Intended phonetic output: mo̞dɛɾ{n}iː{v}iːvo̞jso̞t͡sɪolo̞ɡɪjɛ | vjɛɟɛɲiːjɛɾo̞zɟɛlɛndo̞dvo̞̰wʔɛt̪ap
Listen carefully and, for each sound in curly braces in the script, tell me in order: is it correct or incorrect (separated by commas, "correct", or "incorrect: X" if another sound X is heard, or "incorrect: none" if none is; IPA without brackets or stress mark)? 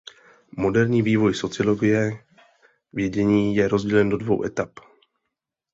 incorrect: ɲ, correct